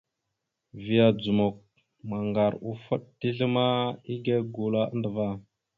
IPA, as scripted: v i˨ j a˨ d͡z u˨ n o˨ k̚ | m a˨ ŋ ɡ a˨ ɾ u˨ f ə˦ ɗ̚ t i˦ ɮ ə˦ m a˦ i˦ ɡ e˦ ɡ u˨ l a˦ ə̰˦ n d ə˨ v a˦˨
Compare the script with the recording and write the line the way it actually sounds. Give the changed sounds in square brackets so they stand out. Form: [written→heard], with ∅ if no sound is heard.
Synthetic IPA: v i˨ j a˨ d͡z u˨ [n→m] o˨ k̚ | m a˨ ŋ ɡ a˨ ɾ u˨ f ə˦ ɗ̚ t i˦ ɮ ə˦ m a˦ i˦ ɡ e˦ ɡ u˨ l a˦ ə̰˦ n d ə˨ v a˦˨